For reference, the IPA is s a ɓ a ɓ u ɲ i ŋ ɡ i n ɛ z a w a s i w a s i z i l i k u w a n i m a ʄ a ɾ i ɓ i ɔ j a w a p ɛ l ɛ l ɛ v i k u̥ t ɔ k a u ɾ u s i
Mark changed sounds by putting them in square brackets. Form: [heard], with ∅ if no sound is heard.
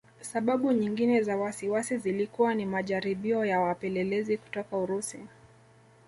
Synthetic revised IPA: s a ɓ a ɓ u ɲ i ŋ ɡ i n ɛ z a w a s i w a s i z i l i k u w a n i m a ʄ a ɾ i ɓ i ɔ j a w a p ɛ l ɛ l ɛ [z] i k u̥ t ɔ k a u ɾ u s i